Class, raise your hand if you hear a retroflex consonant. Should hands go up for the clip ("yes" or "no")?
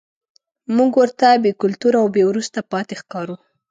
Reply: no